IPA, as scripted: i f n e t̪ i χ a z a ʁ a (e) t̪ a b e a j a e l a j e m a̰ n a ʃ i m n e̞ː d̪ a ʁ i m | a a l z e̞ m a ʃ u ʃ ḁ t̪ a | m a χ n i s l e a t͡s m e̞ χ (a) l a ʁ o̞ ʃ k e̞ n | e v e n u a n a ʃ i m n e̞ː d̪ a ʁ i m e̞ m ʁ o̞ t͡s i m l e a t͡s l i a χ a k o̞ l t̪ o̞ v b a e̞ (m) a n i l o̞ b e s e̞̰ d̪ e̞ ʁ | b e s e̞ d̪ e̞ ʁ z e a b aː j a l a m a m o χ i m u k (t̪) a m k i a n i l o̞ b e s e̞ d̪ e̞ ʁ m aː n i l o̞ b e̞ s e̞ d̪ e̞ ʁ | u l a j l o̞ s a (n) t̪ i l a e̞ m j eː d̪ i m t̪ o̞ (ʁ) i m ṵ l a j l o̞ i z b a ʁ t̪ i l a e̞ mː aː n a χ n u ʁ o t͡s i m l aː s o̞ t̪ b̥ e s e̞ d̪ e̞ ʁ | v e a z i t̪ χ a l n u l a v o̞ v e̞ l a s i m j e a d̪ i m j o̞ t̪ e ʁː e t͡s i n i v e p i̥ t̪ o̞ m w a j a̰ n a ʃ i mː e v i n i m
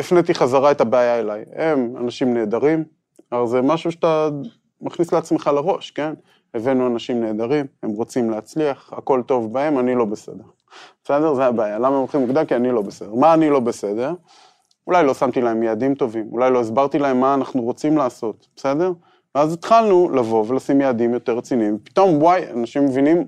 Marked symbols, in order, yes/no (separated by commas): yes, yes, yes, no, no, no